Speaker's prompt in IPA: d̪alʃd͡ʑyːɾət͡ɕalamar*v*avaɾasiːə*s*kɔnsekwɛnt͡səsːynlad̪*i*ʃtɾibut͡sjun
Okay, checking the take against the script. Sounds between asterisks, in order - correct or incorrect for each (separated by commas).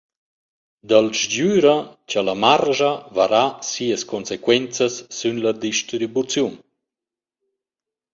incorrect, correct, correct